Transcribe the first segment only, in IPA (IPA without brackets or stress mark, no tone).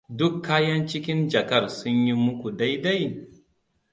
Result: d